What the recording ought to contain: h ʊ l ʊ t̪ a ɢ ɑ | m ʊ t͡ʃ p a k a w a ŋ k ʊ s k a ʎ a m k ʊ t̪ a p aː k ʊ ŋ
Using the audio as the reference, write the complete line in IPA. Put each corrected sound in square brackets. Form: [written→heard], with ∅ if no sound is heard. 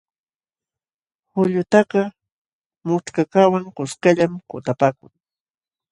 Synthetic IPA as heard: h ʊ [l→ʎ] ʊ t̪ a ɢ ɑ | m ʊ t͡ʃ [p→k] a k a w a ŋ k ʊ s k a ʎ a m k ʊ t̪ a p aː k ʊ ŋ